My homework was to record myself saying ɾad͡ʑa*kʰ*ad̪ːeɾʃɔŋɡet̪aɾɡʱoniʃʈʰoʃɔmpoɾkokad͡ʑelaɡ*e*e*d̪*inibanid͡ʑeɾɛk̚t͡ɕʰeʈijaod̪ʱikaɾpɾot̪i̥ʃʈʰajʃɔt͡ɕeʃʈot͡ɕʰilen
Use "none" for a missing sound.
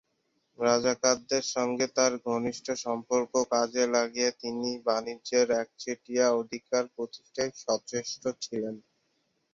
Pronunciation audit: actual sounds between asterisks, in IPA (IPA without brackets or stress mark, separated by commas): k, i, t̪